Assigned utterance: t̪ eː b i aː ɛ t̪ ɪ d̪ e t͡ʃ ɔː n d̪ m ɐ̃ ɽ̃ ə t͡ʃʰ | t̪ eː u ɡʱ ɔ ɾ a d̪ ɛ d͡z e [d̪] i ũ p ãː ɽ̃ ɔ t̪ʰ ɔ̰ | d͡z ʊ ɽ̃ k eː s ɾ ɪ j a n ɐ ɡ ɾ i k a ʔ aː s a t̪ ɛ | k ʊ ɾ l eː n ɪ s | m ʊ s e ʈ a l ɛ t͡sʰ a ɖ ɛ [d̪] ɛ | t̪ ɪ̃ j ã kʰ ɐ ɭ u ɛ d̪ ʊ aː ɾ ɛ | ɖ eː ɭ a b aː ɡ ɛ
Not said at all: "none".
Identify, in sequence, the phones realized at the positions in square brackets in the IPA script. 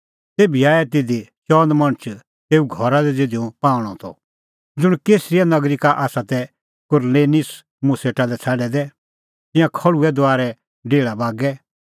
d̪, d̪

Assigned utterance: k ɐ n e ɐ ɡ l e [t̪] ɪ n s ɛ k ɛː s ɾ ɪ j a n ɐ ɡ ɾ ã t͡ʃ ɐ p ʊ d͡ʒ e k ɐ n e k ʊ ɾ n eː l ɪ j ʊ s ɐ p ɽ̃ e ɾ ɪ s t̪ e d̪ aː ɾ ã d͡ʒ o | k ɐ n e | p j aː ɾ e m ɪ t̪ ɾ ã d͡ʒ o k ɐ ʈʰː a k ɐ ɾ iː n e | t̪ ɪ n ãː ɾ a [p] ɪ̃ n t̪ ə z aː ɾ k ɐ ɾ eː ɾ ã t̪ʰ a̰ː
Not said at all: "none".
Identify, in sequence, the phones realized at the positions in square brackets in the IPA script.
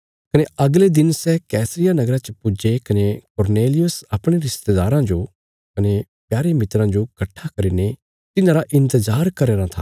d̪, ʔ

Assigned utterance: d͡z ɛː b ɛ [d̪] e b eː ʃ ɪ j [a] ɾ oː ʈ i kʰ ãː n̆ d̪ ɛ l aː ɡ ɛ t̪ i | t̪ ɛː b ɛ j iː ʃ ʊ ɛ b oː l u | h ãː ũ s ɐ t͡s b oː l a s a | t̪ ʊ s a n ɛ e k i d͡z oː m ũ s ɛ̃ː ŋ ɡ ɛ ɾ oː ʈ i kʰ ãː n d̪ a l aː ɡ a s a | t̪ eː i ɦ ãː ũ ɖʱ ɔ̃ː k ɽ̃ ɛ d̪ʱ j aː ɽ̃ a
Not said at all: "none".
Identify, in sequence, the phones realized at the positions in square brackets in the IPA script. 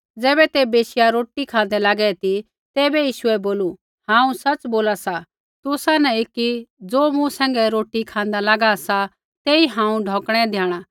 t̪, a

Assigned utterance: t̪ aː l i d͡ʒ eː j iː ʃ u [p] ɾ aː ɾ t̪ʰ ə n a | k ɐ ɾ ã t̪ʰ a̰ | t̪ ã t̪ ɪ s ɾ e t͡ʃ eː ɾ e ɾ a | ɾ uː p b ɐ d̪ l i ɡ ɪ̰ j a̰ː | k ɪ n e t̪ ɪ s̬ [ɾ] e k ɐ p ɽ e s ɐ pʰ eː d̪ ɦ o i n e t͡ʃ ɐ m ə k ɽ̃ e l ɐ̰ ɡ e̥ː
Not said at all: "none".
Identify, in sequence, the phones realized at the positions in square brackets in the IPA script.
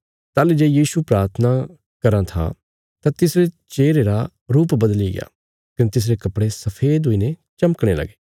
p, ɾ

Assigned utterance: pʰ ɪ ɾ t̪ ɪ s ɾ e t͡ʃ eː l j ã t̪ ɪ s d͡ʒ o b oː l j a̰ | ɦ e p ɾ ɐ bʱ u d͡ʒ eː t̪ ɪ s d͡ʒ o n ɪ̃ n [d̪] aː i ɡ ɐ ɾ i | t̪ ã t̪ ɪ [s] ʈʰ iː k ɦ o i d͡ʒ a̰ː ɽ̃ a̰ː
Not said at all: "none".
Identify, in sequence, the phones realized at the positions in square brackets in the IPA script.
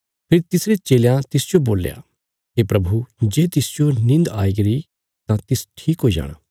d̪, s

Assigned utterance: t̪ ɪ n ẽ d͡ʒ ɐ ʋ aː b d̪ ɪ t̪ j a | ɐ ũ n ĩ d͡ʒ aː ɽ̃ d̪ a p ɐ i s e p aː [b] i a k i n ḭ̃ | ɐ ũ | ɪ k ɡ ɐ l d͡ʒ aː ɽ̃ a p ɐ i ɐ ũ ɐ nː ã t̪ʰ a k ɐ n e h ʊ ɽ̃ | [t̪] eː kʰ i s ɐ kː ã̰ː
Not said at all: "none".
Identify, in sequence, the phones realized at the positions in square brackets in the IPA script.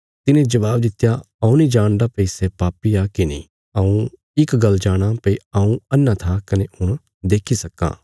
p, d̪

